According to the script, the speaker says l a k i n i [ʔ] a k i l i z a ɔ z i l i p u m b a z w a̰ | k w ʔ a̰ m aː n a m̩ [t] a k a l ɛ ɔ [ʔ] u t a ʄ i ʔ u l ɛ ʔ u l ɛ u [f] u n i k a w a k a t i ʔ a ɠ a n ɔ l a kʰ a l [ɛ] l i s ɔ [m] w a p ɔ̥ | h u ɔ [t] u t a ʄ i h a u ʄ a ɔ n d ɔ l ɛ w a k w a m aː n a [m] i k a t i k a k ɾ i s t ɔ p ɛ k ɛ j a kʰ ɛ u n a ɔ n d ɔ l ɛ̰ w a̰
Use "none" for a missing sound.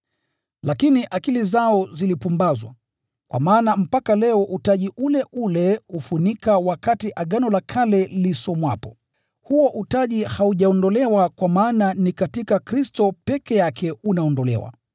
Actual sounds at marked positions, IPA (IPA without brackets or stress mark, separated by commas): ʔ, p, ʔ, f, ɛ, m, ʔ, n